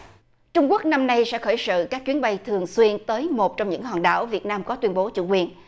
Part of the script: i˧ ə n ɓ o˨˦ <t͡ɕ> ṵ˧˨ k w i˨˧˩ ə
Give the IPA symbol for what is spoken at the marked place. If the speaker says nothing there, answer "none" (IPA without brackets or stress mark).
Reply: t͡ɕ